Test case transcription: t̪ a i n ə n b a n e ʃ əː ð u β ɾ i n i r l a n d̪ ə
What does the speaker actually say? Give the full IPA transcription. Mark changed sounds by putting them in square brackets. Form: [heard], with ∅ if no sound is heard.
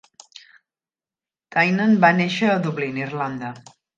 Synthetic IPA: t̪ a [j] n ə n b a n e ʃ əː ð u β [l] i n i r l a n d̪ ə

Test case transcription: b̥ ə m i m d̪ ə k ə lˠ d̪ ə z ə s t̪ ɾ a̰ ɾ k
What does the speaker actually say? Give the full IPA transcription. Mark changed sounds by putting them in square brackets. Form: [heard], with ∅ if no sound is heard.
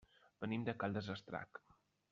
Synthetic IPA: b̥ ə [n] i m d̪ ə k [a] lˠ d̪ ə z ə s t̪ ɾ a̰ [∅] k

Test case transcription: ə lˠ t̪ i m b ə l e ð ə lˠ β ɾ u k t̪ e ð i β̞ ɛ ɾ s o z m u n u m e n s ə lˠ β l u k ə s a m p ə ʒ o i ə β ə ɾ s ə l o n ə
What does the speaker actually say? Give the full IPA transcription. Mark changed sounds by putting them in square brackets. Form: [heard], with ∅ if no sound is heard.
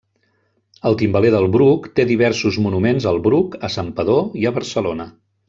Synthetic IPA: ə lˠ t̪ i m b ə l e ð ə lˠ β ɾ u k t̪ e ð i β̞ ɛ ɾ s [u] z m u n u m e n [z] ə lˠ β [ɾ] u k ə s a m p ə [ð] o i ə β ə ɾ s ə l o n ə

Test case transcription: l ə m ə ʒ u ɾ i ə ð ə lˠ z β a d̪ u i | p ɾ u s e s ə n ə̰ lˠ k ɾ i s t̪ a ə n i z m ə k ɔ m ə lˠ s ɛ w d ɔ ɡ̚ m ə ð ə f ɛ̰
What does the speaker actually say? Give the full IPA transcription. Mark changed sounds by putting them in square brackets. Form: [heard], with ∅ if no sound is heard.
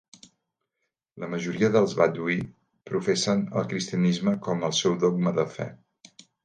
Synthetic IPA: l ə m ə ʒ u ɾ i ə ð ə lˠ z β a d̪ u i | p ɾ u [f] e s ə n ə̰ lˠ k ɾ i s t̪ [i] ə n i z m ə k ɔ m ə lˠ s ɛ w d ɔ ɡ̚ m ə ð ə f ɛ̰

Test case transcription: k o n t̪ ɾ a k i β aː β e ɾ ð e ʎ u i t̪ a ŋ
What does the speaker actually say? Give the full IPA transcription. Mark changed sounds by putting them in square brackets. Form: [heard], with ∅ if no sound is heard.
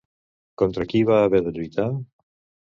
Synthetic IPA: k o n t̪ ɾ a k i β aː β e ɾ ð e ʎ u [j] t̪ a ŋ

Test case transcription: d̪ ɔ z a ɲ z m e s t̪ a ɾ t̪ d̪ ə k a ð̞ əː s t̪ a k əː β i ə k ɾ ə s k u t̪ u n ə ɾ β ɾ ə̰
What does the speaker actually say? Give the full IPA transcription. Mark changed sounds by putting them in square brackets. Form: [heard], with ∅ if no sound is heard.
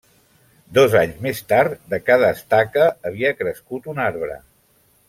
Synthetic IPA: d̪ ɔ z a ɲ z m e s t̪ a ɾ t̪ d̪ ə k a ð̞ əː s t̪ a k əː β i ə k ɾ ə s k u t̪ u n [a] ɾ β ɾ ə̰

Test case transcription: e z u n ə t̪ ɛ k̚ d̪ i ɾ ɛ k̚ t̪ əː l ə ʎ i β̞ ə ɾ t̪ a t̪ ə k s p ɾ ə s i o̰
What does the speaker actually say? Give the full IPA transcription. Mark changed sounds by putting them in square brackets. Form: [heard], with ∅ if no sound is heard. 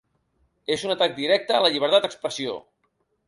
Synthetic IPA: e z u n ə t̪ [a] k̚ d̪ i ɾ ɛ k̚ t̪ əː l ə ʎ i β̞ ə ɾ t̪ a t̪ ə k s p ɾ ə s i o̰

